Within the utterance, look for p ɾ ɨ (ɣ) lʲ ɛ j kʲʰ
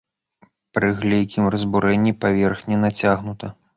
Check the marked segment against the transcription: correct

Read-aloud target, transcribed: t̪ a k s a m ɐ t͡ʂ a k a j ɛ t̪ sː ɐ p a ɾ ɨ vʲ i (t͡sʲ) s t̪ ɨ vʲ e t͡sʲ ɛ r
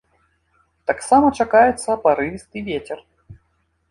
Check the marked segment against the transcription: incorrect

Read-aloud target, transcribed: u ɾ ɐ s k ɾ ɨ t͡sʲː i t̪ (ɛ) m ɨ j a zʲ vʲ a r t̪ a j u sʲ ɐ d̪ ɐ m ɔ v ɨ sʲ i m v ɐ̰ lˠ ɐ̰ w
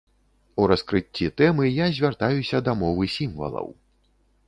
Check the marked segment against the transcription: correct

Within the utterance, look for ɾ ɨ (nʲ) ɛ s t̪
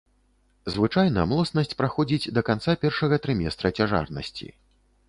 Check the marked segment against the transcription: incorrect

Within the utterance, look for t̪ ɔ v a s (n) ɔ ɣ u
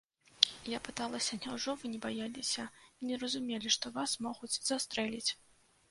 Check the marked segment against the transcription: incorrect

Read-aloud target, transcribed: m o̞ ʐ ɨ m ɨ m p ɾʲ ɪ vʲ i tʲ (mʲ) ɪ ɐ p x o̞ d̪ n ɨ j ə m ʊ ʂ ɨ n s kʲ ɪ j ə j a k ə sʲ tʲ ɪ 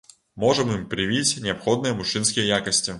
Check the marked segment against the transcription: incorrect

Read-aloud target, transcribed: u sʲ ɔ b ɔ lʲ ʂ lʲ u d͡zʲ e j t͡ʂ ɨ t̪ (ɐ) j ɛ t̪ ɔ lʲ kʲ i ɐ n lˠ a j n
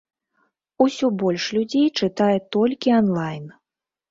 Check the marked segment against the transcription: incorrect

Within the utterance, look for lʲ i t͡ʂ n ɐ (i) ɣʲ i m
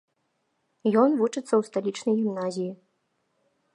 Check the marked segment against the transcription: incorrect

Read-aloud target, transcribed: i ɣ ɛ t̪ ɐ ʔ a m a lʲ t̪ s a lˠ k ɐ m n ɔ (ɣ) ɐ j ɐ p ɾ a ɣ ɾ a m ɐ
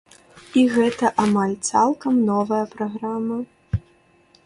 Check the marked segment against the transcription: incorrect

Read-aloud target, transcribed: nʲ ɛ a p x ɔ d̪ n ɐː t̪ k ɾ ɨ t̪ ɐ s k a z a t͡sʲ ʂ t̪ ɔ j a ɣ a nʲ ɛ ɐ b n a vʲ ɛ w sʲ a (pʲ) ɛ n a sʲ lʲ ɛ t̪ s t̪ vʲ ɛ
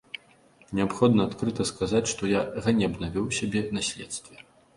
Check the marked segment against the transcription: incorrect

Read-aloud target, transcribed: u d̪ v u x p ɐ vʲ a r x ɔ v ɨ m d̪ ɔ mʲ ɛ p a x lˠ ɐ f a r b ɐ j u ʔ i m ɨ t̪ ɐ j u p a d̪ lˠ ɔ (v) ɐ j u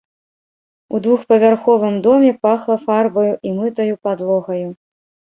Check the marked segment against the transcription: incorrect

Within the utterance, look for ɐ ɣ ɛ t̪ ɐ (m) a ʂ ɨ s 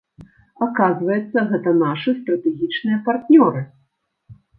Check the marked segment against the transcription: incorrect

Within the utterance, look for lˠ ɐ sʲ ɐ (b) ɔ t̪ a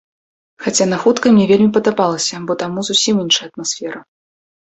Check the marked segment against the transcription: correct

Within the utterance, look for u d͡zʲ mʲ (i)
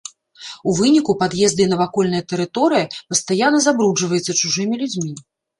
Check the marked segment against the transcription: correct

